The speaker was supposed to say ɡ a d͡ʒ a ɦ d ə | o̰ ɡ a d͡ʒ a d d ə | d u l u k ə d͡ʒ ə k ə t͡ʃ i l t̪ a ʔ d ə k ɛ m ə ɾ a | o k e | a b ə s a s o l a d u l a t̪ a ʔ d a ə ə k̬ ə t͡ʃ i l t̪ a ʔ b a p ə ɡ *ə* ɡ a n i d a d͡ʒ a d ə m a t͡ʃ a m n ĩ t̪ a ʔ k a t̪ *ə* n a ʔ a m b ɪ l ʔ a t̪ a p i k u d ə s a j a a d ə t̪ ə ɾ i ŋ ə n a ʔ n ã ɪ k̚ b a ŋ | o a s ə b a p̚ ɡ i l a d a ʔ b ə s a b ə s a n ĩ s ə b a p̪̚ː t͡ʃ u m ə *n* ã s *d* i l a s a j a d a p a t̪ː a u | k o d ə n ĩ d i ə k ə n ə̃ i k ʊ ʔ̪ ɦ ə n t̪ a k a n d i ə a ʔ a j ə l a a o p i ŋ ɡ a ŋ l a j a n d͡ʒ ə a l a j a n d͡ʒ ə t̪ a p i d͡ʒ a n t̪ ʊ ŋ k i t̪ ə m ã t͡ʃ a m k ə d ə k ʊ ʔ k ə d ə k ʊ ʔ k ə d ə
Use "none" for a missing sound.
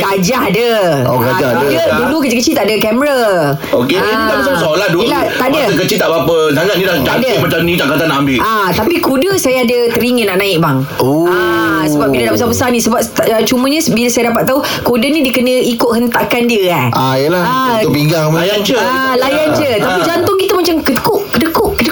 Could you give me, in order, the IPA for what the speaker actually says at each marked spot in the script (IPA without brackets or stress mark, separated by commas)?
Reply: a, a, ɲ, b